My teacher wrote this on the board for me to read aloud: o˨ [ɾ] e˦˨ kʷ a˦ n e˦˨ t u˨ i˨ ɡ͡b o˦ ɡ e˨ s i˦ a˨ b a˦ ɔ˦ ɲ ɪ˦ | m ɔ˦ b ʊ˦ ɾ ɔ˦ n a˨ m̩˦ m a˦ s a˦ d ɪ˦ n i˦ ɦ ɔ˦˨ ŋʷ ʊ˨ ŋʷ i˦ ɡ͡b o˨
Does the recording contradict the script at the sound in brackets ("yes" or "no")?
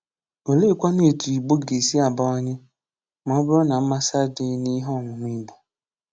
yes